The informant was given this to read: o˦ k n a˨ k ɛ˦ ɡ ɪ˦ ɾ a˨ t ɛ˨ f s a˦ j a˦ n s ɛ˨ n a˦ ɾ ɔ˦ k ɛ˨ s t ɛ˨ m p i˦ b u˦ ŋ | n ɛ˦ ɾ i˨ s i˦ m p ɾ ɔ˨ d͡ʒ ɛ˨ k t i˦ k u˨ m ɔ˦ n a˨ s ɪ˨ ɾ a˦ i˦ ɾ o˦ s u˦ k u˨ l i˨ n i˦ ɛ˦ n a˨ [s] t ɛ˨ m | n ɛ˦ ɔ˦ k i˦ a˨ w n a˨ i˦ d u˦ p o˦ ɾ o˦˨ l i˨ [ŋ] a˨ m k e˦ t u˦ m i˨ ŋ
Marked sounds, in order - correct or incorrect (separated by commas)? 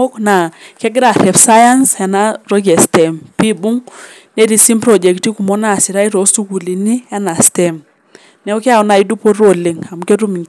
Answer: correct, correct